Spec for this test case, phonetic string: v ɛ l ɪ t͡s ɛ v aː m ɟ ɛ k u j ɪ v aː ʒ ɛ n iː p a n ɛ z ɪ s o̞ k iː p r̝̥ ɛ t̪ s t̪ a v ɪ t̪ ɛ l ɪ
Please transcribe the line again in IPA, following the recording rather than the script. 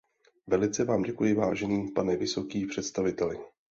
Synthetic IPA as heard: v ɛ l ɪ t͡s ɛ v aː m ɟ ɛ k u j ɪ v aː ʒ ɛ n iː p a n ɛ v ɪ s o̞ k iː p r̝̥ ɛ t̪ s t̪ a v ɪ t̪ ɛ l ɪ

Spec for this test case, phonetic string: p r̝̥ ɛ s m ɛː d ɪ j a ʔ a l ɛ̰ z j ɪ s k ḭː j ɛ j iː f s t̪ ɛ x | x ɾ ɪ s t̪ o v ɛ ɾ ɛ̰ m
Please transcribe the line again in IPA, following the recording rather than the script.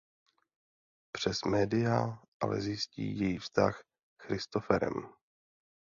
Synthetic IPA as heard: p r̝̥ ɛ s m ɛː d ɪ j a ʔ a l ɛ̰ z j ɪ s c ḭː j ɛ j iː f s t̪ a x | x ɾ ɪ s t̪ o f ɛ ɾ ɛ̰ m

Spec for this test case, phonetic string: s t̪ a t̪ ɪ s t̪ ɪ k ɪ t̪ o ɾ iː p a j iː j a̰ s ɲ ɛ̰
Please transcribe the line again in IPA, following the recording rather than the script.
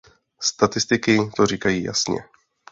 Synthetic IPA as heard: s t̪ a t̪ ɪ s t̪ ɪ k ɪ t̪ o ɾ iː k a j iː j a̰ s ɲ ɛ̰

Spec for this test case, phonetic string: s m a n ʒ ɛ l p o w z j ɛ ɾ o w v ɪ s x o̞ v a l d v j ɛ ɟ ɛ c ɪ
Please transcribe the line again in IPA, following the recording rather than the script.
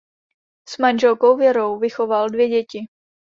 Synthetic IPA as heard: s m a n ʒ ɛ l k o w v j ɛ ɾ o w v ɪ x o̞ v a l d v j ɛ ɟ ɛ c ɪ

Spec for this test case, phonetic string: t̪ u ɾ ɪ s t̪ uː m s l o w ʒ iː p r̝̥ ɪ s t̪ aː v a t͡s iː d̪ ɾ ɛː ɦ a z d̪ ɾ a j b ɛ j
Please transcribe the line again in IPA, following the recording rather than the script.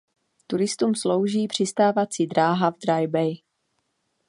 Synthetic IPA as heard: t̪ u ɾ ɪ s t̪ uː m s l o w ʒ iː p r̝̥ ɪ s t̪ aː v a t͡s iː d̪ ɾ aː ɦ a v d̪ ɾ a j b ɛ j

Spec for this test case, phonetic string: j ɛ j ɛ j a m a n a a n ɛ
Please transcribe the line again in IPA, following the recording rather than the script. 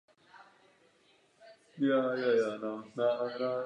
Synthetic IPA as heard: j a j a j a n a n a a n a

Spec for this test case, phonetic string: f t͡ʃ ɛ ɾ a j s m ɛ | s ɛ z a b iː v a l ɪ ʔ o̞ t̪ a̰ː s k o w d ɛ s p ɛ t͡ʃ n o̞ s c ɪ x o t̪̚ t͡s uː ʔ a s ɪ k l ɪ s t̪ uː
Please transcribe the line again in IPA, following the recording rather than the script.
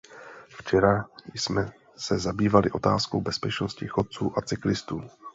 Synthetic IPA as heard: f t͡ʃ ɛ ɾ a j s m ɛ | s ɛ z a b iː v a l ɪ ʔ o̞ t̪ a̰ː s k o w b ɛ s p ɛ t͡ʃ n o̞ s c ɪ x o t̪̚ t͡s uː ʔ a t͡s ɪ k l ɪ s t̪ uː

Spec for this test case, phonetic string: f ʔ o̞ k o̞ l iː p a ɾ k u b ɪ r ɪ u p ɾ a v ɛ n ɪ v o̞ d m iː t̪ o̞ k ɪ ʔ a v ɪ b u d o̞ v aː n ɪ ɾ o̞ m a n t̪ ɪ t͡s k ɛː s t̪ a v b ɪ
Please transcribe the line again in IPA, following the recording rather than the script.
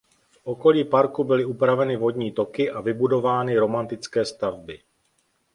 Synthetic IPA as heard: f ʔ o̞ k o̞ l iː p a ɾ k u b ɪ l ɪ u p ɾ a v ɛ n ɪ v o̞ d ɲ iː t̪ o̞ k ɪ ʔ a v ɪ b u d o̞ v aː n ɪ ɾ o̞ m a n t̪ ɪ t͡s k ɛː s t̪ a v b ɪ

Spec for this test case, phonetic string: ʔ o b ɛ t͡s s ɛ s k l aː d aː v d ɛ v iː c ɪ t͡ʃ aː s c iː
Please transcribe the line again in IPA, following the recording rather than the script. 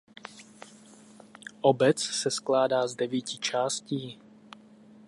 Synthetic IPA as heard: ʔ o b ɛ t͡s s ɛ s k l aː d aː z d ɛ v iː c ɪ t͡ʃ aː s c iː

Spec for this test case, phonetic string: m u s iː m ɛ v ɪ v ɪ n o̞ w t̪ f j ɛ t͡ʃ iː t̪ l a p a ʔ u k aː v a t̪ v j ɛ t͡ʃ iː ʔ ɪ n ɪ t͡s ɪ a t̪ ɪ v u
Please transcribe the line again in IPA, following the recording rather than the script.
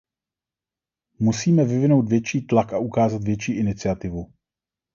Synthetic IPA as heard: m u s iː m ɛ v ɪ v ɪ n o̞ w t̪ v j ɛ t͡ʃ iː t̪ l a k a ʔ u k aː z a t̪ v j ɛ t͡ʃ iː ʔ ɪ n ɪ t͡s ɪ a t̪ ɪ v u

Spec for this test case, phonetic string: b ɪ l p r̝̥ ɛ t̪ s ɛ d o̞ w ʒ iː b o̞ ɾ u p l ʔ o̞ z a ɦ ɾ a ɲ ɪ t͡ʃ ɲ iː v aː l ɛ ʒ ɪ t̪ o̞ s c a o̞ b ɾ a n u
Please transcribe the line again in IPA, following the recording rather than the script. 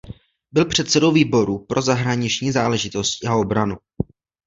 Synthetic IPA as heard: b ɪ l p r̝̥ ɛ t̪ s ɛ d o̞ w v iː b o̞ ɾ u p ɾ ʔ o̞ z a ɦ ɾ a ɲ ɪ t͡ʃ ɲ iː z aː l ɛ ʒ ɪ t̪ o̞ s c a o̞ b ɾ a n u

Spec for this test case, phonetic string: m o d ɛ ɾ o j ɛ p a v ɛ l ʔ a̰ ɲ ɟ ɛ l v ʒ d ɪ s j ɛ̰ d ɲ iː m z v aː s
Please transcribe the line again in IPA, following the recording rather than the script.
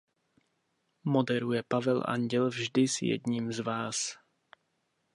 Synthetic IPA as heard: m o d ɛ ɾ u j ɛ p a v ɛ l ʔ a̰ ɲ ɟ ɛ l v ʒ d ɪ s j ɛ̰ d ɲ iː m z v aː s

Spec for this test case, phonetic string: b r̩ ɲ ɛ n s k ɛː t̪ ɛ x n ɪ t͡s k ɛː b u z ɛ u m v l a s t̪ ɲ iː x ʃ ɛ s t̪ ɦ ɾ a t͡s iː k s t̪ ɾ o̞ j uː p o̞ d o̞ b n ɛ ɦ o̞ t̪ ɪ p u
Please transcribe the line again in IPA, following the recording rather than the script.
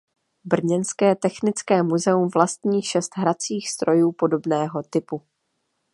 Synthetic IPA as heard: b r̩ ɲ ɛ n s k ɛː t̪ ɛ x n ɪ t͡s k ɛː m u z ɛ u m v l a s t̪ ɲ iː x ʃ ɛ s t̪ ɦ ɾ a t͡s iː x s t̪ ɾ o̞ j uː p o̞ d o̞ b n ɛː ɦ o̞ t̪ ɪ p u

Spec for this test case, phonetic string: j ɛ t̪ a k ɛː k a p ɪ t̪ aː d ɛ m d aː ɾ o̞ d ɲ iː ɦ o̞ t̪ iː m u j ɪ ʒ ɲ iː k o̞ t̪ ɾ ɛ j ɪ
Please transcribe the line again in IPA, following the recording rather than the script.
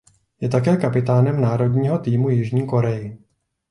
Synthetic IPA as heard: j ɛ t̪ a k ɛː k a p ɪ t̪ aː n ɛ m n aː ɾ o̞ d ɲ iː ɦ o̞ t̪ iː m u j ɪ ʒ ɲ iː k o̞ ɾ ɛ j ɪ

